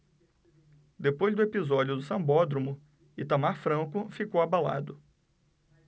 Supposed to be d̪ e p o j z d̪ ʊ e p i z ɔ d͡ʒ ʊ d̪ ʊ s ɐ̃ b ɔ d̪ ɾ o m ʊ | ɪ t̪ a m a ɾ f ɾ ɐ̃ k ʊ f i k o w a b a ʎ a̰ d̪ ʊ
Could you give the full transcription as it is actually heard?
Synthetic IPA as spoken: d̪ e p o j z d̪ ʊ e p i z ɔ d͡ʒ ʊ d̪ ʊ s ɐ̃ b ɔ d̪ ɾ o m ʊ | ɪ t̪ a m a ɾ f ɾ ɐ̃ k ʊ f i k o w a b a l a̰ d̪ ʊ